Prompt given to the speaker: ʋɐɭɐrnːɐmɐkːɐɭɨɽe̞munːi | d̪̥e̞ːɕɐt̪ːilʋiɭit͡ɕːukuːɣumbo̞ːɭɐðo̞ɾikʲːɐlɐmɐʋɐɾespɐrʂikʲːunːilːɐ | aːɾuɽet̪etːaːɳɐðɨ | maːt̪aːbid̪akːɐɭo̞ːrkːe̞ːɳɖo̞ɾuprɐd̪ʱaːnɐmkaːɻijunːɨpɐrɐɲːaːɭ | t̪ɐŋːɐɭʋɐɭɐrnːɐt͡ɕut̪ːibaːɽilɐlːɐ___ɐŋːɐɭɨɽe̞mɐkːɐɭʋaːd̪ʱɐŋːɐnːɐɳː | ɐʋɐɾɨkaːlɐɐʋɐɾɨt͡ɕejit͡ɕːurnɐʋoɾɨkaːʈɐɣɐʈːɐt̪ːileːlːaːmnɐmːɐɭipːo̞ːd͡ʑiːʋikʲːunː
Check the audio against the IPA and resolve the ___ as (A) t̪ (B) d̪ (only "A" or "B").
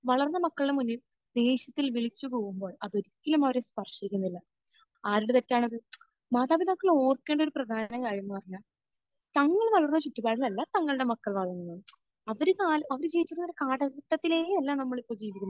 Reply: A